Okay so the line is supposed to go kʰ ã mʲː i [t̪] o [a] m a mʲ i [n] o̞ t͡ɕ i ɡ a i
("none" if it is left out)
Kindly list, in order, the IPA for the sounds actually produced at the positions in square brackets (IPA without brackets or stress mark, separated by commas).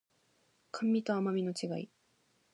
t̪, a, n